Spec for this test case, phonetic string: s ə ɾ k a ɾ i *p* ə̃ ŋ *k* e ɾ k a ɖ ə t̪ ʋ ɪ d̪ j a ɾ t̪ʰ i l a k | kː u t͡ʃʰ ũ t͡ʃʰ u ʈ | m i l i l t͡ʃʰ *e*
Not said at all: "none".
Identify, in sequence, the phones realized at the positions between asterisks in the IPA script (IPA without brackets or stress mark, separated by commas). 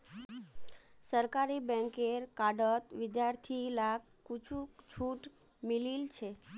b, k, e